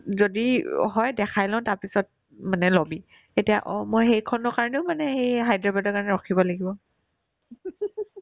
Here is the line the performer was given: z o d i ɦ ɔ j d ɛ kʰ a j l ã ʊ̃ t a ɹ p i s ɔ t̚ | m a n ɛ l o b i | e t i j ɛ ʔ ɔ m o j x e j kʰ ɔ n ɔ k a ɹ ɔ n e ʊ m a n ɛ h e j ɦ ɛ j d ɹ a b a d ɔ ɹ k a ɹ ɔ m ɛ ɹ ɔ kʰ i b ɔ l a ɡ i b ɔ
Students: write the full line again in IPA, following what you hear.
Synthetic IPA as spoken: z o d i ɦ ɔ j d ɛ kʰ a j l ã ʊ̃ t a ɹ p i s ɔ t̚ | m a n ɛ l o b i | e t i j a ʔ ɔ m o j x e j kʰ ɔ n ɔ k a ɹ ɔ n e ʊ m a n ɛ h e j ɦ a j d ɹ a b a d ɔ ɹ k a ɹ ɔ n ɛ ɹ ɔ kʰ i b ɔ l a ɡ i b ɔ